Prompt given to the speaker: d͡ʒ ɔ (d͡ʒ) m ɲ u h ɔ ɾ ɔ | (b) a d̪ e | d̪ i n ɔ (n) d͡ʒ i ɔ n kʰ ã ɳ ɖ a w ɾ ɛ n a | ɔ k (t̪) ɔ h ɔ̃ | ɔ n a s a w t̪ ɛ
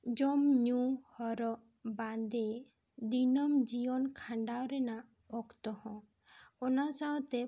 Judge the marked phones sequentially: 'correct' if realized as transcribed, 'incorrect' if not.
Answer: incorrect: none, correct, incorrect: m, correct

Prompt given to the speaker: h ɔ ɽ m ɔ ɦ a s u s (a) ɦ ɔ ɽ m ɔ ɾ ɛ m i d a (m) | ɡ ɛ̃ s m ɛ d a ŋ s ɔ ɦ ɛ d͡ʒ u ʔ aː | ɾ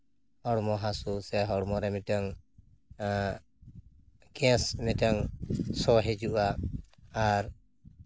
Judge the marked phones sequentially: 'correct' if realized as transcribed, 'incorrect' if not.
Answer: incorrect: ɛ, incorrect: ŋ

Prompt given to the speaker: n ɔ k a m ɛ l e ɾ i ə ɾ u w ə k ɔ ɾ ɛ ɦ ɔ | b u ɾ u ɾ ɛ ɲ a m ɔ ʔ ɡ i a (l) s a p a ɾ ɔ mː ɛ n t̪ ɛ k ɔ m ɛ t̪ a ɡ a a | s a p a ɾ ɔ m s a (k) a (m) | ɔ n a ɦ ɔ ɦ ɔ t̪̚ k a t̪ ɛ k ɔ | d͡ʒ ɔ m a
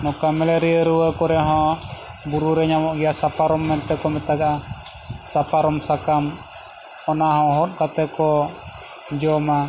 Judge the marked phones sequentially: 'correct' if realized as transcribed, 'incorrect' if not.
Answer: incorrect: none, correct, correct

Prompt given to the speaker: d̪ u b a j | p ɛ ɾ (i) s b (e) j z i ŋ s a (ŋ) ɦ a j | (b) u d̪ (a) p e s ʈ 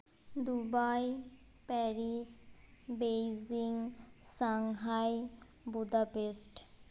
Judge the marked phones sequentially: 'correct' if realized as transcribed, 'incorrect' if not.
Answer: correct, correct, correct, correct, correct

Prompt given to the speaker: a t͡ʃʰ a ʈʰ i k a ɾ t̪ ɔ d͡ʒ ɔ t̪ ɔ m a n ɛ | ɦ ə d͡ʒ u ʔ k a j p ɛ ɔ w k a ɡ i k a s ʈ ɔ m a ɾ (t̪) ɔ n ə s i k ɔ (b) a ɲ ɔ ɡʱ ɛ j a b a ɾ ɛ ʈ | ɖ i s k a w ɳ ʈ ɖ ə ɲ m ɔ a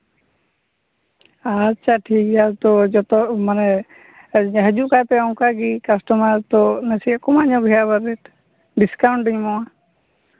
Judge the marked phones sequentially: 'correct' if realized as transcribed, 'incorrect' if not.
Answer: correct, incorrect: m

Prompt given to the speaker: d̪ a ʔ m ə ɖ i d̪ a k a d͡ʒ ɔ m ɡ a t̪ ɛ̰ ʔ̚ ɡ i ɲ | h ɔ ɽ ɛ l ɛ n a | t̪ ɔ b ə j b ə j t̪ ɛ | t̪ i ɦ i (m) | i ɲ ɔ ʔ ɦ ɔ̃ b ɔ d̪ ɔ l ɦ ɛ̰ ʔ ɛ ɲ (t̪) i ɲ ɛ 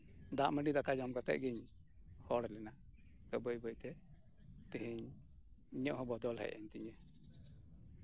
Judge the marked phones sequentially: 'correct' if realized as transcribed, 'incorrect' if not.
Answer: incorrect: ɲ, correct

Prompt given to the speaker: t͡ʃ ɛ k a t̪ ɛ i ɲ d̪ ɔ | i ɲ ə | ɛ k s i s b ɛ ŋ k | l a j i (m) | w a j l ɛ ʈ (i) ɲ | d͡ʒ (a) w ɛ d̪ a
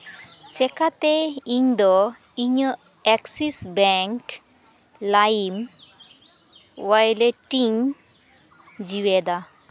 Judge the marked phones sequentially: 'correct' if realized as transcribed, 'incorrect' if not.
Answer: correct, correct, incorrect: i

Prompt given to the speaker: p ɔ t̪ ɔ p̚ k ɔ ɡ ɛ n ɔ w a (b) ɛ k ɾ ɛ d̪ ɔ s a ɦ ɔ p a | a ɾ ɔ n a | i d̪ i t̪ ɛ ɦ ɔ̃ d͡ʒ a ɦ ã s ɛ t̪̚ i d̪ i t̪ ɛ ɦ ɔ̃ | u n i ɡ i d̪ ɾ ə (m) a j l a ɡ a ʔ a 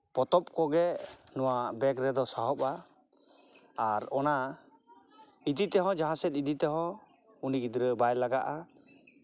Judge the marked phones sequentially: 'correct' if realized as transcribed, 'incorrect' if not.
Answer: correct, incorrect: b

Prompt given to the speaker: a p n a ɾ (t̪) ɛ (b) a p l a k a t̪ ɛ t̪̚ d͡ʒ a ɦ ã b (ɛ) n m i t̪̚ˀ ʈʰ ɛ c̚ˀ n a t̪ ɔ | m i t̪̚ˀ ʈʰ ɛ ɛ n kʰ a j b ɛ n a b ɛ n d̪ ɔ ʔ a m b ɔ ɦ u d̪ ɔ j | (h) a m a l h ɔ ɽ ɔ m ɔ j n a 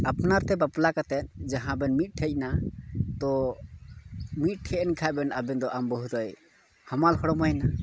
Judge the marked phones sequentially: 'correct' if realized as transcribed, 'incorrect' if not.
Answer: correct, correct, correct, correct

